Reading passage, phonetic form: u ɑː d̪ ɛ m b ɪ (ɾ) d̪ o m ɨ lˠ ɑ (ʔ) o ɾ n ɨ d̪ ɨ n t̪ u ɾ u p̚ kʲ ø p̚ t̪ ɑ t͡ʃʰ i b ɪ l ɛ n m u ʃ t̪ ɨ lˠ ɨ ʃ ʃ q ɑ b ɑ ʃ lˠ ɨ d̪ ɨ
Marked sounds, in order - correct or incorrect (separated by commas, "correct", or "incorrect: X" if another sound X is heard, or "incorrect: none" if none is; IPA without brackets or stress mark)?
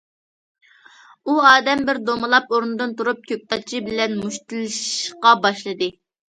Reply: correct, incorrect: p